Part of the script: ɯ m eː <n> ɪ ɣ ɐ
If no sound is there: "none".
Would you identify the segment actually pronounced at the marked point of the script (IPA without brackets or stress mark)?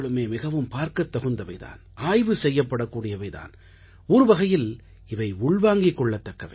m